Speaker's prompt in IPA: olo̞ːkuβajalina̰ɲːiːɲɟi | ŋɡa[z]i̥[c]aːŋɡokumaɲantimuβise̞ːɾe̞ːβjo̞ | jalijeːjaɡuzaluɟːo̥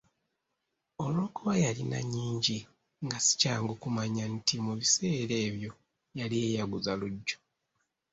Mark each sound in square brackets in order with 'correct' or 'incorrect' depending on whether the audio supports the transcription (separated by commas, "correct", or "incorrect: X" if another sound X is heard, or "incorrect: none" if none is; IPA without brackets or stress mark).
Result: incorrect: s, correct